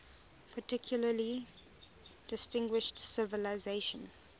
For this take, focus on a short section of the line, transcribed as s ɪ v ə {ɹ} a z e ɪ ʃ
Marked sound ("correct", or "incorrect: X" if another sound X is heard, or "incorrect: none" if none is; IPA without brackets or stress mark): incorrect: l